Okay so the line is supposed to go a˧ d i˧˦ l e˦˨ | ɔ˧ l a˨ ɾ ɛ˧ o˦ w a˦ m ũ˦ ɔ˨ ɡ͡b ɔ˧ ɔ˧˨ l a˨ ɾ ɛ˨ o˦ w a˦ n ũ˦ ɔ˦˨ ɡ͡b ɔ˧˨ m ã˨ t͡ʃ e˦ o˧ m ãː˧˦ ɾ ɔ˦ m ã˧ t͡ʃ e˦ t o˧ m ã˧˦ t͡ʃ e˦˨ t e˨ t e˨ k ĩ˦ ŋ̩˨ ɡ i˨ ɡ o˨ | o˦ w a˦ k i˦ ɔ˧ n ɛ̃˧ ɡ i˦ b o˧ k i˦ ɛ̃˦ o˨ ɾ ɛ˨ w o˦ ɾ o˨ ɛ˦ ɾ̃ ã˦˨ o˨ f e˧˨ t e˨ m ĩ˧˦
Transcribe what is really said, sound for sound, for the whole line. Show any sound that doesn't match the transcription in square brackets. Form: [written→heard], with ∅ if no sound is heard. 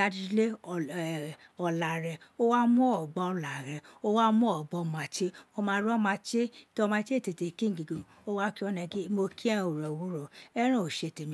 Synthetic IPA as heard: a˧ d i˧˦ l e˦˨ | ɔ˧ l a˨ ɾ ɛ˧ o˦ w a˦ m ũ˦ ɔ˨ ɡ͡b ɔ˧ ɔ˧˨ l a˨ ɾ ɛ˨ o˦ w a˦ [n→m] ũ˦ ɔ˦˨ ɡ͡b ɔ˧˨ m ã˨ t͡ʃ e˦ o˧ m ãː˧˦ ɾ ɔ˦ m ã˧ t͡ʃ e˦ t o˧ m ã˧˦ t͡ʃ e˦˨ t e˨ t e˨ k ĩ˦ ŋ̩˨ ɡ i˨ ɡ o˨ | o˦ w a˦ k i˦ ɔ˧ n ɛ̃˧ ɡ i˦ [b→m] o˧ k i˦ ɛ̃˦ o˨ ɾ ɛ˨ w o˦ ɾ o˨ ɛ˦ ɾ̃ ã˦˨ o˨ [f→ʃ] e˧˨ t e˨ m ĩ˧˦